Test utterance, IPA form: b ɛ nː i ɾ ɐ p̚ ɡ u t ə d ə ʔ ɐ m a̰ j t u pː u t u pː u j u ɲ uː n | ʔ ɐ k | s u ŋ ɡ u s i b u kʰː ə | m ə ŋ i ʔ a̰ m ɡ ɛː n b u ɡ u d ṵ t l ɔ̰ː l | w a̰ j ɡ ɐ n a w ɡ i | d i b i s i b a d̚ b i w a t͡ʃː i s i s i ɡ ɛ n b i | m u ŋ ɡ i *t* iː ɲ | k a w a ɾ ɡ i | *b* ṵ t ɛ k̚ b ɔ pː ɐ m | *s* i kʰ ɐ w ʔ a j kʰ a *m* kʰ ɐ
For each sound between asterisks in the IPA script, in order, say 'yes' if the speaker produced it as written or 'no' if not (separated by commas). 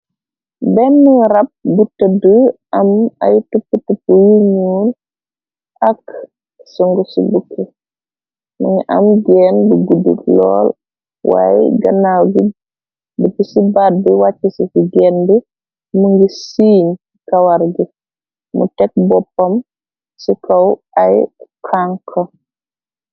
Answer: no, no, yes, no